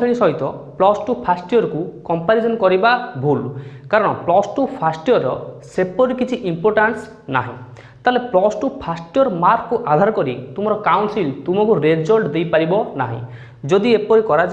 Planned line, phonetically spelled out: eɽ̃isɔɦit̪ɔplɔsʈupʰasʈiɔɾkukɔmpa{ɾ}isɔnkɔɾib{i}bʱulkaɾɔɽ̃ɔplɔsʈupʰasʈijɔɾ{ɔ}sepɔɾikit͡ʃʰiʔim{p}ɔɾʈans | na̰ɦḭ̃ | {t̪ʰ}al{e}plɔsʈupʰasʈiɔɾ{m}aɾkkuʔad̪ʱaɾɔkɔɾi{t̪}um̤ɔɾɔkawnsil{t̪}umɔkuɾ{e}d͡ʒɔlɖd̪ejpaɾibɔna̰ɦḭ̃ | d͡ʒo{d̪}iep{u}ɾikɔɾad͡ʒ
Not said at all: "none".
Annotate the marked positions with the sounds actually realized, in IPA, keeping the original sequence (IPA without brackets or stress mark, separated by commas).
ɾ, a, ɔ, p, t̪, e, m, t̪, t̪, e, d̪, ɔ